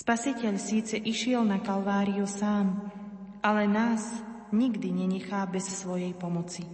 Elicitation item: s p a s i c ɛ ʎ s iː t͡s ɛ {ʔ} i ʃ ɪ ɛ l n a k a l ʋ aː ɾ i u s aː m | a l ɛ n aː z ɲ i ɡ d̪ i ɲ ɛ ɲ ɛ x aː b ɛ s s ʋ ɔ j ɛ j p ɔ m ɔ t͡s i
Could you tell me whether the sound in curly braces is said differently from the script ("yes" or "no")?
no